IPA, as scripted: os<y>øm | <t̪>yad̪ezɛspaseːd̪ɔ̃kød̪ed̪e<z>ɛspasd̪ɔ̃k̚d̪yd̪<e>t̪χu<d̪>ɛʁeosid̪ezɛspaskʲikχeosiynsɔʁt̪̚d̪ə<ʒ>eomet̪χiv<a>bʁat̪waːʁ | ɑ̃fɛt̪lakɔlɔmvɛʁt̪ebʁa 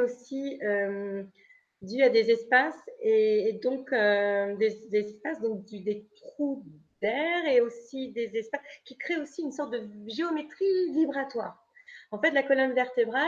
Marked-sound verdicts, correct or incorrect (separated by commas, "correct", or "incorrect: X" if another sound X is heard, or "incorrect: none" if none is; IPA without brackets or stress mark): incorrect: i, incorrect: d̪, correct, correct, correct, correct, incorrect: i